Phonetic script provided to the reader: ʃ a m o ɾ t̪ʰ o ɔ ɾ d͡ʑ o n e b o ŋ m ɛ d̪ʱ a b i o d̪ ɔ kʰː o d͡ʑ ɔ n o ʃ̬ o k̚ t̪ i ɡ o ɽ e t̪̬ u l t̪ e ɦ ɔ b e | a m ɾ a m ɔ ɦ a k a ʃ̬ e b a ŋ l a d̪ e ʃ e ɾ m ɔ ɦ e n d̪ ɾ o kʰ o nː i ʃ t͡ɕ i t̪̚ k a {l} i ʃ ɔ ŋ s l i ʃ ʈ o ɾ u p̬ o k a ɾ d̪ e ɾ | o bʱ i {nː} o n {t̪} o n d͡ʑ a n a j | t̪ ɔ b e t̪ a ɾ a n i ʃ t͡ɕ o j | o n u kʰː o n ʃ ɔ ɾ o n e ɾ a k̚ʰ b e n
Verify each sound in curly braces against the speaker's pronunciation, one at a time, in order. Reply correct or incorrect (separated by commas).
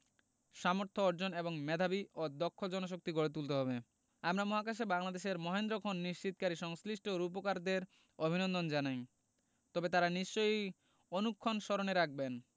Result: incorrect, incorrect, incorrect